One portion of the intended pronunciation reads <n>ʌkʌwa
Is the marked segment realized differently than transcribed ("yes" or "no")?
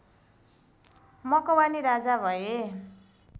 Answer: yes